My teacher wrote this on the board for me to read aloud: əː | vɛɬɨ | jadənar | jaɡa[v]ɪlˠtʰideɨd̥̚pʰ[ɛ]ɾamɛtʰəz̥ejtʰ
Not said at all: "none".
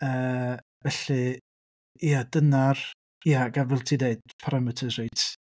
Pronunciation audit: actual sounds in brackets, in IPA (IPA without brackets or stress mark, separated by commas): v, a